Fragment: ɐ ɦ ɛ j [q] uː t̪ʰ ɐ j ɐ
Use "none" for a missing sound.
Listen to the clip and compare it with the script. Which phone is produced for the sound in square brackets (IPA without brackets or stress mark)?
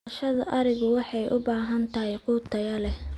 q